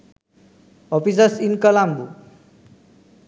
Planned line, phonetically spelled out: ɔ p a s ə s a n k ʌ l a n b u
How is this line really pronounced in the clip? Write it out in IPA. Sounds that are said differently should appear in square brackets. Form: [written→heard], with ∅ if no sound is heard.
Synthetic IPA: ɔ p [a→i] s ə s [a→i] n k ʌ l a [n→m] b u